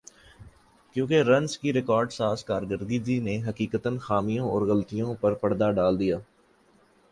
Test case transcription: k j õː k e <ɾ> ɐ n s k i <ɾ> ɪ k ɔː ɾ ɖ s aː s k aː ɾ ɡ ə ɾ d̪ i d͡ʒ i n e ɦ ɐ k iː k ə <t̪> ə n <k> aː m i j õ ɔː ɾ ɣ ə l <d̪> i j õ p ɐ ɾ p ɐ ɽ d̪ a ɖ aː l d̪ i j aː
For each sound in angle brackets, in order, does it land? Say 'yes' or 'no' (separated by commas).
yes, yes, yes, no, no